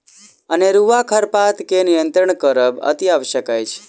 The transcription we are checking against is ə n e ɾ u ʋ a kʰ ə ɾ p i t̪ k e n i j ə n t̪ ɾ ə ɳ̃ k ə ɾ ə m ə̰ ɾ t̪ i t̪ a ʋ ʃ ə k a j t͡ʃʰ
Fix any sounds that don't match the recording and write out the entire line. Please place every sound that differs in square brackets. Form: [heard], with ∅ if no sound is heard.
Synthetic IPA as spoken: ə n e ɾ u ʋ a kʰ ə ɾ p [a] t̪ k e n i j ə n t̪ ɾ ə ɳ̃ k ə ɾ ə [b] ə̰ [∅] t̪ i [∅] a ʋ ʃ ə k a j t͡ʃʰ